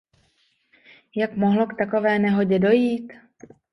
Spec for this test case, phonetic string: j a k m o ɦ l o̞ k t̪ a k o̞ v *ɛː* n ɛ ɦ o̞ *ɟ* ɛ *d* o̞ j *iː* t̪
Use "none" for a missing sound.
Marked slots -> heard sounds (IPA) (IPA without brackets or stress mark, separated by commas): ɛː, ɟ, d, iː